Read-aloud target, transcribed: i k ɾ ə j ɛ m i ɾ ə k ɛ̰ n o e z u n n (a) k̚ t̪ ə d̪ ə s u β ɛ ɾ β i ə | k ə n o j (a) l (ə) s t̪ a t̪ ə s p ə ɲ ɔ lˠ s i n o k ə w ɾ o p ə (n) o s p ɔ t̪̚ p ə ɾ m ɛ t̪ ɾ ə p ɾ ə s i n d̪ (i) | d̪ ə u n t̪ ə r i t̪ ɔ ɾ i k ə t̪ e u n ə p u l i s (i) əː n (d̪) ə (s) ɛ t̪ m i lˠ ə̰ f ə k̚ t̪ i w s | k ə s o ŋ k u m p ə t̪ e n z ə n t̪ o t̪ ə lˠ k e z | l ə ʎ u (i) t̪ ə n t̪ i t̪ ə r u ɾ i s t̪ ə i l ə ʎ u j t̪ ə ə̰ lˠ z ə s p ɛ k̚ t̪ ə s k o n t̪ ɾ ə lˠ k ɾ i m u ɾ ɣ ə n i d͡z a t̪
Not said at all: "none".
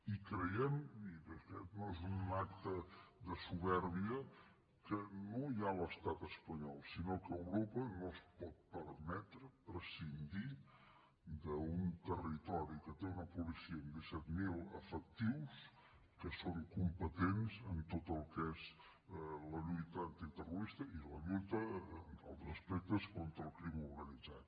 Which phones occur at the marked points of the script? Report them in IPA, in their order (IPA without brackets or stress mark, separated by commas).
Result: a, a, ə, n, i, i, d̪, s, j